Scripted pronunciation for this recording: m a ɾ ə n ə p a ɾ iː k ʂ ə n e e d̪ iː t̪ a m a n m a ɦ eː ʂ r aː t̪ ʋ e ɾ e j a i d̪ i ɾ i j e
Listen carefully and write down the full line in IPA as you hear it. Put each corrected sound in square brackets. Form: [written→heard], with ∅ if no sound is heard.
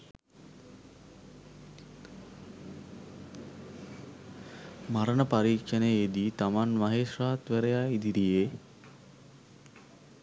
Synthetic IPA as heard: m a ɾ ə n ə p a ɾ iː k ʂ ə n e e d̪ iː t̪ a m a n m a ɦ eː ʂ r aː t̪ ʋ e ɾ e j a i d̪ i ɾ i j e